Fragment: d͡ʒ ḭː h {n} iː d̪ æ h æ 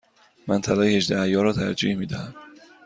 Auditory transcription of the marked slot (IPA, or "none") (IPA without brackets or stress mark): m